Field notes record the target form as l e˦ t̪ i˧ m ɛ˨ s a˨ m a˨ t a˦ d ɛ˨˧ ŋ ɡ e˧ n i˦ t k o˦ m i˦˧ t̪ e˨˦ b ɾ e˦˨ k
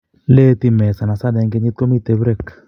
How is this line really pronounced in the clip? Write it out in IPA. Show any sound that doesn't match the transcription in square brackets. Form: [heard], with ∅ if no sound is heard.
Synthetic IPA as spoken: l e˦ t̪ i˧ m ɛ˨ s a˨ [n] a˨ [s] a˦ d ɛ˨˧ ŋ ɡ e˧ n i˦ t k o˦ m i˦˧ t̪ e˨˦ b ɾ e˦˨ k